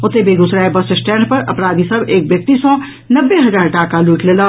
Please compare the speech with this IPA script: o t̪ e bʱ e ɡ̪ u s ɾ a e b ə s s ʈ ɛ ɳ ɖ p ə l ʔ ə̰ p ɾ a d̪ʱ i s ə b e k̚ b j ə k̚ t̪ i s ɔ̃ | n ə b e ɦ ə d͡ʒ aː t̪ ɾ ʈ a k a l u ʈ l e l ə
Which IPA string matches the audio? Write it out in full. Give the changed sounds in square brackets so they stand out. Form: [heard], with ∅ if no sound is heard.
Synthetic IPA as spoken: o t̪ e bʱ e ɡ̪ u s ɾ a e b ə s s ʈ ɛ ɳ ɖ p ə [ɾ] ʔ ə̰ p ɾ a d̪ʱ i s ə b e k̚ b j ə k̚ t̪ i s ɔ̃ | n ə [bː] e ɦ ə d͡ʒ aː [∅] ɾ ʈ a k a l u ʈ l e l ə